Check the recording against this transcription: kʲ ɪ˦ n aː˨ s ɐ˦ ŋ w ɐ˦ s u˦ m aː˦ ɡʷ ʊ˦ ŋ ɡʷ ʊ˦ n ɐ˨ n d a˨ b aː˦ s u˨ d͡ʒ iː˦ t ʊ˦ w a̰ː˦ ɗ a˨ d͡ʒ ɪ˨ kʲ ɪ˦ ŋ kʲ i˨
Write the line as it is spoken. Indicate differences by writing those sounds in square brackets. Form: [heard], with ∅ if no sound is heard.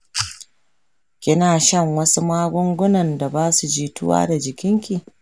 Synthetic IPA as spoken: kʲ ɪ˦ n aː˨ [ʃ] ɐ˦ ŋ w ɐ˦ s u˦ m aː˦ ɡʷ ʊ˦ ŋ ɡʷ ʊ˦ n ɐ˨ n d a˨ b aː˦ s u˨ d͡ʒ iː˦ t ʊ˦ w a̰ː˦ [d] a˨ d͡ʒ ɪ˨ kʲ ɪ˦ ŋ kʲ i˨